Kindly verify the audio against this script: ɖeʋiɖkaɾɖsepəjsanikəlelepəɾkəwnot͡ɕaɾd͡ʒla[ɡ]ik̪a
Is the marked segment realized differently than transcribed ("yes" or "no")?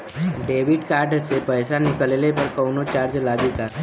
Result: no